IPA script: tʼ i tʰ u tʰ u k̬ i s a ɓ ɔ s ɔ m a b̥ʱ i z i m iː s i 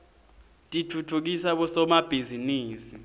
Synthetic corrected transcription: tʼ i tʰ u tʰ u k̬ i s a ɓ ɔ s ɔ m a b̥ʱ i z i n iː s i